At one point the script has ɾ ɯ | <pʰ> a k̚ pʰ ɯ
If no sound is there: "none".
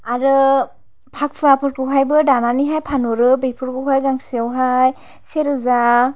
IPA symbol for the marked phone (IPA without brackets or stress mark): pʰ